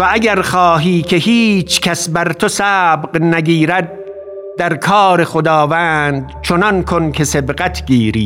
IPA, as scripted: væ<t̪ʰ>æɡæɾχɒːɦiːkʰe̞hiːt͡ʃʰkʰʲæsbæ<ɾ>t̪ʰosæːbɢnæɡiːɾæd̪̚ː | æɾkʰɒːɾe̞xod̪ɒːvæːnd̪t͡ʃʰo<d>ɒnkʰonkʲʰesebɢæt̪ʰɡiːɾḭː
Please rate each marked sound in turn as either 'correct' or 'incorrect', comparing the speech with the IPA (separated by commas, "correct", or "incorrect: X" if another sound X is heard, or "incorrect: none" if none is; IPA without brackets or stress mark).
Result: incorrect: none, correct, incorrect: n